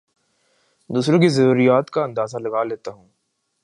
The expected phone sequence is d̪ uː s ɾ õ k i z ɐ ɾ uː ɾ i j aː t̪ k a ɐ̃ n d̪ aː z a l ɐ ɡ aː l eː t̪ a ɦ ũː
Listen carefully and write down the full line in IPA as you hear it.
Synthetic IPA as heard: d̪ uː s ɾ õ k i z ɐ ɾ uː ɾ i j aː t̪ k a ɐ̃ n d̪ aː z a l ɐ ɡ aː l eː t̪ a ɦ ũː